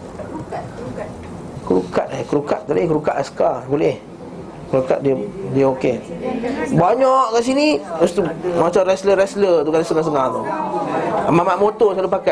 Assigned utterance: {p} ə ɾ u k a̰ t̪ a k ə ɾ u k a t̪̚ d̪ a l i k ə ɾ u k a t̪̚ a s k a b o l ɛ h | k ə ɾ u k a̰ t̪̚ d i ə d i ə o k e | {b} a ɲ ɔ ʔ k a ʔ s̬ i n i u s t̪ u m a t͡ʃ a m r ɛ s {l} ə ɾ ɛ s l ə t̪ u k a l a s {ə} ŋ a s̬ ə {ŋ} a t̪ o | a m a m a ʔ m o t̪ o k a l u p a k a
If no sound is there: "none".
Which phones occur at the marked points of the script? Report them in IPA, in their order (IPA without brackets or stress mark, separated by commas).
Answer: k, b, l, ə, ŋ